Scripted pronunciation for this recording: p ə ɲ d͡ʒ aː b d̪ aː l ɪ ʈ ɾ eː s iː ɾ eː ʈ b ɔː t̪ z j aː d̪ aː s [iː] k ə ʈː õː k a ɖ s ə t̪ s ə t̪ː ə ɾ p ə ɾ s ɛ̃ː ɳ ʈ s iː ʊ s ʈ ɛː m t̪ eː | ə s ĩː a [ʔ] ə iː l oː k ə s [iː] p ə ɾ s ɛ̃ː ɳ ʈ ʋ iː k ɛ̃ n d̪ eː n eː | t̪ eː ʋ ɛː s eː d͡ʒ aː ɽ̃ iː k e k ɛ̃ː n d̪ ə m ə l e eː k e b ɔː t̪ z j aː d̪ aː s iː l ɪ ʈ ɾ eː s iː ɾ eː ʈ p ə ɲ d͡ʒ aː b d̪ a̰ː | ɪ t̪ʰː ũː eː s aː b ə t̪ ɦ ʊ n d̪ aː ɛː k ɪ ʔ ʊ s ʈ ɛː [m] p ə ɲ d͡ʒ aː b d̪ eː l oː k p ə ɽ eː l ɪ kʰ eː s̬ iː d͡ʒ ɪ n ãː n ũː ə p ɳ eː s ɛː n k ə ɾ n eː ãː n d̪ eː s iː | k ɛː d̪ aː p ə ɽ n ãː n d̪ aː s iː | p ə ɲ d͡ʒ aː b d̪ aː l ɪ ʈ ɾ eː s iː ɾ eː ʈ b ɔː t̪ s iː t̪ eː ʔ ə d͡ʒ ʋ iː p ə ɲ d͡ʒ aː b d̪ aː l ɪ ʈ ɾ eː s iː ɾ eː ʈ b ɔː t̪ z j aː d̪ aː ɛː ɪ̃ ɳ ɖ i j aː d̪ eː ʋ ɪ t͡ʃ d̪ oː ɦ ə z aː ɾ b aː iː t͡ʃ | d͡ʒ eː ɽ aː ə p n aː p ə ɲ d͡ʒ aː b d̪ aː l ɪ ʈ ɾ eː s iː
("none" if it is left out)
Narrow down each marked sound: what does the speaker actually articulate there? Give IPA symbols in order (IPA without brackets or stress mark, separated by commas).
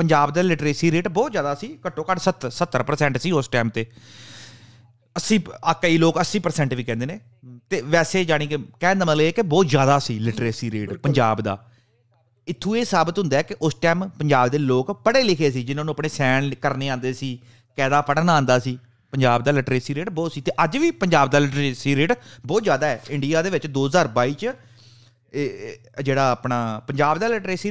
iː, k, iː, m